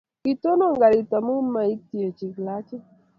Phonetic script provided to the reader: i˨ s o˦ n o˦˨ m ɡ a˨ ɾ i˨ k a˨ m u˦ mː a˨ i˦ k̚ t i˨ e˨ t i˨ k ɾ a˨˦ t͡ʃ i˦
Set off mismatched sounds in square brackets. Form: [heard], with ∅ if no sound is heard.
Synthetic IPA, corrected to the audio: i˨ [t] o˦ n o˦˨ [ŋ] ɡ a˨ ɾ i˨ [t] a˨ m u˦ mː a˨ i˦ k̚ t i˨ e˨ [t͡ʃ] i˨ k [l] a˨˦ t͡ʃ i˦